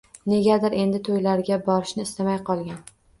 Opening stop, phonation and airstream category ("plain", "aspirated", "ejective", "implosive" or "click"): plain